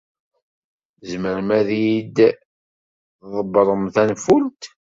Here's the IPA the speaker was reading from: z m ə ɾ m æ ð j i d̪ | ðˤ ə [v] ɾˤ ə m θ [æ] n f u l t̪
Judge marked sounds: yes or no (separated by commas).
no, yes